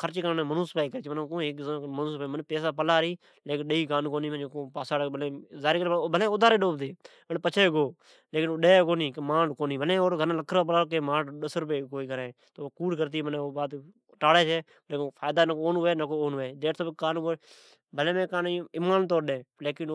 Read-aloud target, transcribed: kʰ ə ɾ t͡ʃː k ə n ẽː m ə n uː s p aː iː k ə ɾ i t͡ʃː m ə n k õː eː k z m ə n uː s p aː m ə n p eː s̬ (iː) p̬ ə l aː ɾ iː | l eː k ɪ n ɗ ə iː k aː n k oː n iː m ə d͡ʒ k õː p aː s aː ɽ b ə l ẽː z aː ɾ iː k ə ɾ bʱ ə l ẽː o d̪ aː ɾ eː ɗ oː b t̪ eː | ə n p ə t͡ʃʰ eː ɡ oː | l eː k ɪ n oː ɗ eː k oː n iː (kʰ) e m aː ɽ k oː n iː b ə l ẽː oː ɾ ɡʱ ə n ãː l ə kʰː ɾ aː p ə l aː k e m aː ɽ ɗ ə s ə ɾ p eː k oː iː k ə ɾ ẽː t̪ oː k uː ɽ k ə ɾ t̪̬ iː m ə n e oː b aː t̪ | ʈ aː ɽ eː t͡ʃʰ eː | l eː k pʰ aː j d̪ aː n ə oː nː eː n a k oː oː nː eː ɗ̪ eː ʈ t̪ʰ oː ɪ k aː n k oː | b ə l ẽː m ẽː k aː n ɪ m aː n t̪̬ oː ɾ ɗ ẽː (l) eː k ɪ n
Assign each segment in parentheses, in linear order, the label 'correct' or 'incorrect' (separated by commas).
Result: incorrect, incorrect, correct